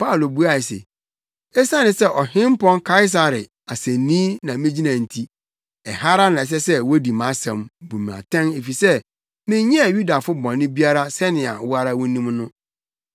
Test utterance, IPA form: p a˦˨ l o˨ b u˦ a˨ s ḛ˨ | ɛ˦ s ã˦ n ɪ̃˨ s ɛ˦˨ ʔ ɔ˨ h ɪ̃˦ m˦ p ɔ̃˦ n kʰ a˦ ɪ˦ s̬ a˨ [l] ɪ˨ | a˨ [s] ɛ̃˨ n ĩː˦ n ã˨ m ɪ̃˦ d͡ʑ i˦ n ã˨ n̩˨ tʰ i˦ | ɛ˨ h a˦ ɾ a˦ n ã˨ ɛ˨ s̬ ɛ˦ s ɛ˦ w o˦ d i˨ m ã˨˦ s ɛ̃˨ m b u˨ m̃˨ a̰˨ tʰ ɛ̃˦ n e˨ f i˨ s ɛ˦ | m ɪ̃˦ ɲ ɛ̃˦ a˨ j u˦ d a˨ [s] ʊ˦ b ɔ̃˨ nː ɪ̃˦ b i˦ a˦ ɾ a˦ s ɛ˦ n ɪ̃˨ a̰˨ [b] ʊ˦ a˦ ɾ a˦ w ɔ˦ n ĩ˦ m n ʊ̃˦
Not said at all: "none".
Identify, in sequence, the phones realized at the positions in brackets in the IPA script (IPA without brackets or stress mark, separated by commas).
ɾ, s, f, w